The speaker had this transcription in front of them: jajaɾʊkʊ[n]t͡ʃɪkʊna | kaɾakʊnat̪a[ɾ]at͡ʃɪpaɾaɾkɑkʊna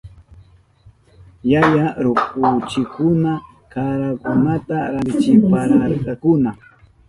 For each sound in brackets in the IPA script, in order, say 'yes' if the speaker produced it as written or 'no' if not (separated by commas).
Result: no, yes